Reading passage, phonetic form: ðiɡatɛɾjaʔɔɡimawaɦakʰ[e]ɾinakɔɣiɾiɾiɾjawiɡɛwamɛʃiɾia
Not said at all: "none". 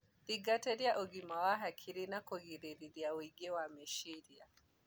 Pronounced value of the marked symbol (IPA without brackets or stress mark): i